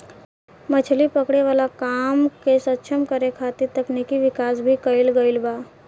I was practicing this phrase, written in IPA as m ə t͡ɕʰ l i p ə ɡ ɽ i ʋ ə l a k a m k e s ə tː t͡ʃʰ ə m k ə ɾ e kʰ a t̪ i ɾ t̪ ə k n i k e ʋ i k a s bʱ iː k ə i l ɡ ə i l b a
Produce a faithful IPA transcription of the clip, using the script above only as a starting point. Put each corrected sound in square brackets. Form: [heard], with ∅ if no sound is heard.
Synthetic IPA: m ə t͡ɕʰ l i p ə [k] ɽ [e] ʋ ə l a k a m k e s ə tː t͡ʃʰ ə m k ə ɾ e kʰ a t̪ i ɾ t̪ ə k n i k [i] ʋ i k a s bʱ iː k ə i l ɡ ə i l b a